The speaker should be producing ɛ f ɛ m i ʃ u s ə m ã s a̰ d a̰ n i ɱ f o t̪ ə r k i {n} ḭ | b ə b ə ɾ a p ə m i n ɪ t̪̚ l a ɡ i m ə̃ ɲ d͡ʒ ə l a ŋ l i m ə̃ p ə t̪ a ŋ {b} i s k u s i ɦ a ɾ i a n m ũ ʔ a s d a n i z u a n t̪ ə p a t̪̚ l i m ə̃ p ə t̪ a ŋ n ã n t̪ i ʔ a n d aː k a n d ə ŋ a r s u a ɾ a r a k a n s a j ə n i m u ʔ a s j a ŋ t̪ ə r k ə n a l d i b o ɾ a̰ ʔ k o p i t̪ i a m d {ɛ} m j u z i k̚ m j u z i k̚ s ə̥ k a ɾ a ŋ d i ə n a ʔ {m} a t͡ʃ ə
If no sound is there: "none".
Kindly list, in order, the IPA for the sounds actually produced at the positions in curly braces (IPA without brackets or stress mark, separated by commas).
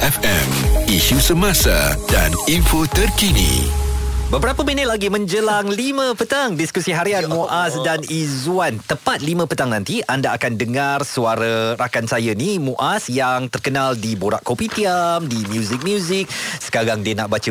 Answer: n, d, i, b